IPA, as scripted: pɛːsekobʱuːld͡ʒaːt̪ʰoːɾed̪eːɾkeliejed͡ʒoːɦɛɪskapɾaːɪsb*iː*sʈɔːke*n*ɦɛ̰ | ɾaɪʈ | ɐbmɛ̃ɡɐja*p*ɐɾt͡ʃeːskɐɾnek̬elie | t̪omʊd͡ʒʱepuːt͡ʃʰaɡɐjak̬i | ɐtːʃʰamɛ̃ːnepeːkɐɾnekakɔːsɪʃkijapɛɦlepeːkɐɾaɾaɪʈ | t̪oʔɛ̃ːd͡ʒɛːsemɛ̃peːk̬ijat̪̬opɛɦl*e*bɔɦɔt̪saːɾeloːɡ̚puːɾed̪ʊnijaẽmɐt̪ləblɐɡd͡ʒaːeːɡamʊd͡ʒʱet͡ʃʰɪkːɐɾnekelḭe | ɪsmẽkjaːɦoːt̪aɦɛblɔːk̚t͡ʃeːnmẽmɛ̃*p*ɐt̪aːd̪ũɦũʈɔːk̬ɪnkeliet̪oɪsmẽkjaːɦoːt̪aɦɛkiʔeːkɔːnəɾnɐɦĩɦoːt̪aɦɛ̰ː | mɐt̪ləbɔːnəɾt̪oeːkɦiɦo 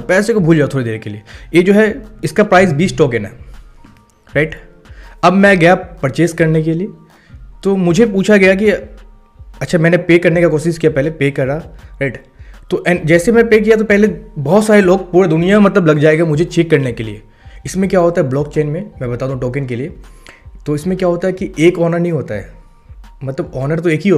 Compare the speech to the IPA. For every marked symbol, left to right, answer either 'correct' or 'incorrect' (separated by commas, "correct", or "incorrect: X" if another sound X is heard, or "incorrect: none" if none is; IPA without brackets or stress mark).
correct, correct, correct, correct, incorrect: b